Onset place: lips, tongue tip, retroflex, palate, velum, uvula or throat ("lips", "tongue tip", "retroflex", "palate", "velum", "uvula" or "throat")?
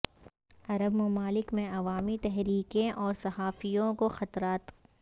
tongue tip